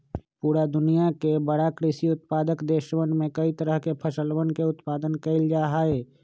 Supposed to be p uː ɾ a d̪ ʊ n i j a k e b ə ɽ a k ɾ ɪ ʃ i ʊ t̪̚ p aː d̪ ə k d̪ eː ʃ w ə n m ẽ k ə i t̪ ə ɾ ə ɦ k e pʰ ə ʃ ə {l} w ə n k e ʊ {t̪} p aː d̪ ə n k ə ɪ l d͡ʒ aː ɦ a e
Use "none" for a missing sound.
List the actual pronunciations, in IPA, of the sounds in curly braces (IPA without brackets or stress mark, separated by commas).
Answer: l, t̪